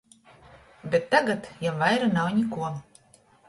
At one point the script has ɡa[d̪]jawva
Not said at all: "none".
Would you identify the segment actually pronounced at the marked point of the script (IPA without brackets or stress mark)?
t̪